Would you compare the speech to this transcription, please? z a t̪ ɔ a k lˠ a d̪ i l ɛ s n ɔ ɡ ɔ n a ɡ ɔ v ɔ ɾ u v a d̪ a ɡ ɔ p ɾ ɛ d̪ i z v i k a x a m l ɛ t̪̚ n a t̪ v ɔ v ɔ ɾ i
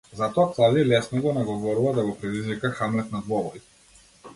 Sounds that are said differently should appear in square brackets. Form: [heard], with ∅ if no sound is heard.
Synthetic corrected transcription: z a t̪ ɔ a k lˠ a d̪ i l ɛ s n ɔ ɡ ɔ n a ɡ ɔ v ɔ ɾ u v a d̪ a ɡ ɔ p ɾ ɛ d̪ i z v i k a x a m l ɛ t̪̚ n a [d̪] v ɔ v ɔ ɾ i